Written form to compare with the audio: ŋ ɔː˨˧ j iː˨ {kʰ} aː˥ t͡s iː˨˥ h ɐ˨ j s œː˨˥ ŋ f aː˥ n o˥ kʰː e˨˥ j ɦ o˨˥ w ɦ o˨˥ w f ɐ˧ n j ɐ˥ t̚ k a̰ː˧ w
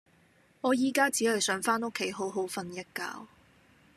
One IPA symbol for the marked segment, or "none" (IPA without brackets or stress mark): k